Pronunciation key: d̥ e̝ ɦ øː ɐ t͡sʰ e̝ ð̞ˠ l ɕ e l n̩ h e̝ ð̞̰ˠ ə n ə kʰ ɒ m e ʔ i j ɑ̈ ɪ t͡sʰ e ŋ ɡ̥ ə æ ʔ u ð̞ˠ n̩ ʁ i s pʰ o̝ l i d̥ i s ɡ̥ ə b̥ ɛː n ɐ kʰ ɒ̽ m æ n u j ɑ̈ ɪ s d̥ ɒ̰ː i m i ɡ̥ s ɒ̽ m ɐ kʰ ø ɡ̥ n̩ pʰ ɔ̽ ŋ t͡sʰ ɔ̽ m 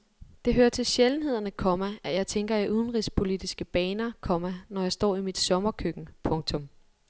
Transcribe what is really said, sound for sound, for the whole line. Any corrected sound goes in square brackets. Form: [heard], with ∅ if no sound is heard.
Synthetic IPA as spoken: d̥ e̝ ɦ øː ɐ t͡sʰ e̝ [∅] l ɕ e l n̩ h e̝ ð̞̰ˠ [ɐ] n ə kʰ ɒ m [æ] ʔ [æ] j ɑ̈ ɪ t͡sʰ e ŋ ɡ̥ [ɐ] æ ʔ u ð̞ˠ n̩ ʁ i s pʰ o̝ l i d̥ i s ɡ̥ ə b̥ ɛː n ɐ kʰ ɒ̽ m æ n [ɒ] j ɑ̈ ɪ s d̥ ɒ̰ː i m i [d̥] s ɒ̽ m ɐ kʰ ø ɡ̥ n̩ pʰ ɔ̽ ŋ t͡sʰ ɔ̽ m